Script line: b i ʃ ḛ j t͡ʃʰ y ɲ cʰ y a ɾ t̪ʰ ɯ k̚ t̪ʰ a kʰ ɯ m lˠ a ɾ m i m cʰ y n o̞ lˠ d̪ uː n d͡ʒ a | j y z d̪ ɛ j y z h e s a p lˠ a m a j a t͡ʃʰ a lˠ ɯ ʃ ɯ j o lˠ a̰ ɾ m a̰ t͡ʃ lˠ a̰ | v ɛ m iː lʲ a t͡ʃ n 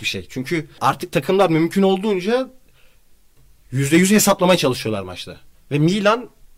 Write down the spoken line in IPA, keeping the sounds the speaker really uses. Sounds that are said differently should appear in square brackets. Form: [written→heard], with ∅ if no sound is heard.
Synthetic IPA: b i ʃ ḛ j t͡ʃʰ y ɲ cʰ y a ɾ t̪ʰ ɯ k̚ t̪ʰ a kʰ ɯ m lˠ a ɾ m [i→y] m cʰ y n o̞ lˠ d̪ uː n d͡ʒ a | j y z d̪ ɛ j y z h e s a p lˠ a m a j a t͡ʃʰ a lˠ ɯ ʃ ɯ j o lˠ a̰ ɾ m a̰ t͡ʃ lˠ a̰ | v ɛ m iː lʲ a [t͡ʃ→∅] n